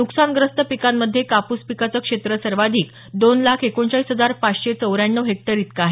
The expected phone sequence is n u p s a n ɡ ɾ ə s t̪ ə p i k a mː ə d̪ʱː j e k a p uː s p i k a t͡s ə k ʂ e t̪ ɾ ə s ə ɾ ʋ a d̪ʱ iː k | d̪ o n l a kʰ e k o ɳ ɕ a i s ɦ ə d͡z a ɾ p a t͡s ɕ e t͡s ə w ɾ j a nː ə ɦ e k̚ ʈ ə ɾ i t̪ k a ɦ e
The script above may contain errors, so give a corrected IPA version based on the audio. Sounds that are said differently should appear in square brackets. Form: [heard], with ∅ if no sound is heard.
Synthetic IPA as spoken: n u [k] s a n ɡ ɾ ə s t̪ ə p i k a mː ə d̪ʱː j e k a p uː s p i k a t͡s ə k ʂ e t̪ ɾ ə s ə ɾ ʋ a d̪ʱ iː k | d̪ o n l a kʰ e k o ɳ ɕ a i s ɦ ə d͡z a ɾ p a t͡s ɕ e t͡s ə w ɾ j a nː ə ɦ e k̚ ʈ ə ɾ i t̪ k a ɦ e